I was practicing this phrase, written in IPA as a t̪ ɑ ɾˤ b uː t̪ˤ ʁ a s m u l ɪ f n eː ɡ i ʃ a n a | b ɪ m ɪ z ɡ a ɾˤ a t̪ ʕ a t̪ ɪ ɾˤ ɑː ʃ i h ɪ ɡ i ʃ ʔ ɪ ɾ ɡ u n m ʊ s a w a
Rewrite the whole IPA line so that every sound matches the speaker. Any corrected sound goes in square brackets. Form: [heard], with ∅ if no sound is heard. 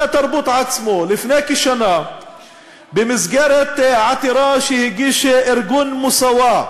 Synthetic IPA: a t̪ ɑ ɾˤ b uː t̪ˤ [ʕ] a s m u l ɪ f n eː [k] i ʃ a n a | b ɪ m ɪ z ɡ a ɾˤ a t̪ ʕ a t̪ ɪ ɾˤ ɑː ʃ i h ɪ ɡ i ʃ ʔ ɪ ɾ ɡ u n m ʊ s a w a